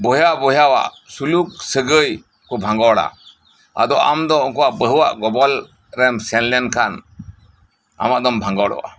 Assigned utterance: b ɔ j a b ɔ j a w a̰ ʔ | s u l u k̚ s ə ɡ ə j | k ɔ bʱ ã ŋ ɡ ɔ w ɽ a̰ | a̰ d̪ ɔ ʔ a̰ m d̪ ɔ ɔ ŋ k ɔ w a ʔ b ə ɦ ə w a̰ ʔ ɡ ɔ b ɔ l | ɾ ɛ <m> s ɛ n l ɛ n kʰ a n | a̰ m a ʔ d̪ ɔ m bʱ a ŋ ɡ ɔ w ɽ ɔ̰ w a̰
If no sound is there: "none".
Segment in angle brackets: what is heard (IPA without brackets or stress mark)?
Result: m